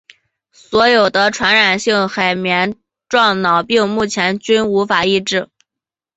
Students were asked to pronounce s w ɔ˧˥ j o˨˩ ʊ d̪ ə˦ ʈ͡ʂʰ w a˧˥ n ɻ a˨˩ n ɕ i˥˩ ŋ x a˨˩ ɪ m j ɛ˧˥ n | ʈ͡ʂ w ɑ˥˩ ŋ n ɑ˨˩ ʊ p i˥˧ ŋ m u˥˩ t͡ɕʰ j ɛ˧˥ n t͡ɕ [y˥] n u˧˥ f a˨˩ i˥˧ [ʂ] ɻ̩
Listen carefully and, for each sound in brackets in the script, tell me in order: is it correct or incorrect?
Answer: correct, incorrect

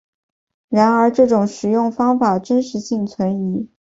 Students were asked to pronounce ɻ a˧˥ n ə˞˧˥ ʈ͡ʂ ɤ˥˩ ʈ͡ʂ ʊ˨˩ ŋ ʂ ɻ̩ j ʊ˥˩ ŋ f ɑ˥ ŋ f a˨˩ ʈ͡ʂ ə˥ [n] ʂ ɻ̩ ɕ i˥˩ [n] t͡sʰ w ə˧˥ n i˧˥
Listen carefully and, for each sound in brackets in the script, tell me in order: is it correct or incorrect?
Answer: correct, incorrect

